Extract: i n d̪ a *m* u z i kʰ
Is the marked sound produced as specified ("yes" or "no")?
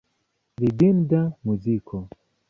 yes